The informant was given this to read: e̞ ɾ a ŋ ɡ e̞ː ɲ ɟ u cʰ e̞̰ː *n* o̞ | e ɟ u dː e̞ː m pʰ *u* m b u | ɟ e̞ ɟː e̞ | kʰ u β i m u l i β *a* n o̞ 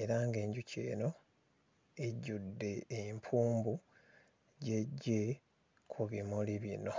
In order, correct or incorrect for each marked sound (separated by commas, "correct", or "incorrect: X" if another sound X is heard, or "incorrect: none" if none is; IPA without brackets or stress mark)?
correct, incorrect: uː, incorrect: i